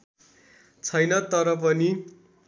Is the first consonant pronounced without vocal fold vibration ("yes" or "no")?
yes